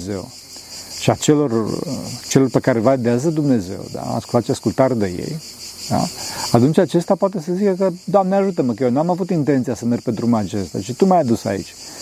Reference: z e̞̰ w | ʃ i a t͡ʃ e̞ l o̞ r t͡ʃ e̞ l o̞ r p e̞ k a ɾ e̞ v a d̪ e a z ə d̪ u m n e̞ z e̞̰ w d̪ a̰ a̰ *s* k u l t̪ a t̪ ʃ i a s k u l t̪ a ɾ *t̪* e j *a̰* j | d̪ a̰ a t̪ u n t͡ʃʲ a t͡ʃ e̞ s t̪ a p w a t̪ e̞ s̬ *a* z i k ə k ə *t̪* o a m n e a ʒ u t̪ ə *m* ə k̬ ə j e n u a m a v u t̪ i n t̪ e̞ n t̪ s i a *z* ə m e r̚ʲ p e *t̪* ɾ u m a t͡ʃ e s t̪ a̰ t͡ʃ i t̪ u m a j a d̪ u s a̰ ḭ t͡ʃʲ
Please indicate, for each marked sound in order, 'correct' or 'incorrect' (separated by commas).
correct, incorrect, incorrect, incorrect, incorrect, correct, incorrect, incorrect